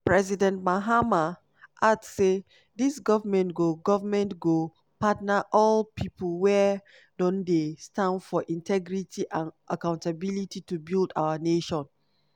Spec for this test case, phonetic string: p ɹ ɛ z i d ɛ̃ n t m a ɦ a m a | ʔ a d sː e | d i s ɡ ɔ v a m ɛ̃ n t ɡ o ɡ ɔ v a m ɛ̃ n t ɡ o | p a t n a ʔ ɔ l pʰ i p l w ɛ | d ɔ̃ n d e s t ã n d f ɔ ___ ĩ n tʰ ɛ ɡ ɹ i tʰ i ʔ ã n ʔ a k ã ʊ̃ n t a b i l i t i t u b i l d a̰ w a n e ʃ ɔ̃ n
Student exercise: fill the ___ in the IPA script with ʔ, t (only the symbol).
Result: ʔ